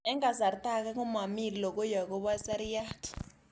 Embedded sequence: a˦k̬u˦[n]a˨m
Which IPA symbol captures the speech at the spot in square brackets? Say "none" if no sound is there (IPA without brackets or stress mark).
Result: m